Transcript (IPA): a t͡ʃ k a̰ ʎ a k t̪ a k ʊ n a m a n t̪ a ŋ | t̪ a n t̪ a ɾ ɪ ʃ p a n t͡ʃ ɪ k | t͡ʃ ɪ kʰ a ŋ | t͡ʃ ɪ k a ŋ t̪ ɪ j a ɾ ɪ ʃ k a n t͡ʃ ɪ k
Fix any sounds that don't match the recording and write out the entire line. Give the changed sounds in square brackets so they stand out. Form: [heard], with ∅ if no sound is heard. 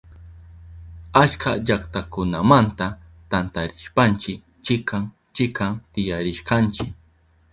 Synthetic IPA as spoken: a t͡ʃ k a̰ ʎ a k t̪ a k ʊ n a m a n t̪ a [∅] | t̪ a n t̪ a ɾ ɪ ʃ p a n t͡ʃ ɪ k | t͡ʃ ɪ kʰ a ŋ | t͡ʃ ɪ k a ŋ t̪ ɪ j a ɾ ɪ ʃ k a n t͡ʃ ɪ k